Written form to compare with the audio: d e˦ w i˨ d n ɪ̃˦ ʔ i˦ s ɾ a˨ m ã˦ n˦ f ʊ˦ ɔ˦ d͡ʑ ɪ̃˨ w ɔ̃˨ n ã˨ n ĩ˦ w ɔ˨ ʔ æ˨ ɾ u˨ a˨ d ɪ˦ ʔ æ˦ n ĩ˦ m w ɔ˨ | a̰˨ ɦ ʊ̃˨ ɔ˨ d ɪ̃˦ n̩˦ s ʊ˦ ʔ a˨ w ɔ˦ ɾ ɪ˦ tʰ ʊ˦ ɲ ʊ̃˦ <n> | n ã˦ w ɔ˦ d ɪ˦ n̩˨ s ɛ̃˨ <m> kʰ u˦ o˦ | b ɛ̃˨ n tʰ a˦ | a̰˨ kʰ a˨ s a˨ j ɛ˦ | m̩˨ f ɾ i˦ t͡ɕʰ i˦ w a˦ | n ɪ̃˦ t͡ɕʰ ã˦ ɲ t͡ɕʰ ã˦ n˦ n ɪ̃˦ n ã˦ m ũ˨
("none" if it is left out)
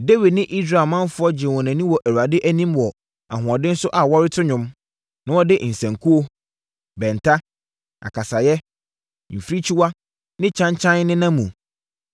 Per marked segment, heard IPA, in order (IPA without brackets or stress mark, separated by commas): m, ŋ